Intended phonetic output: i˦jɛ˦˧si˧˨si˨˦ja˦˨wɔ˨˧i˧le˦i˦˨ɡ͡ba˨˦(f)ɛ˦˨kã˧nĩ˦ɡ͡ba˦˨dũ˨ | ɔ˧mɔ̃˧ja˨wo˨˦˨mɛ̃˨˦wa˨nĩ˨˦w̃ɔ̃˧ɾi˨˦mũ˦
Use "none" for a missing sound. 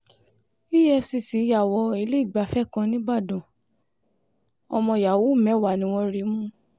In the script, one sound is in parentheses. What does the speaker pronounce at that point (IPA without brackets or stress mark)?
f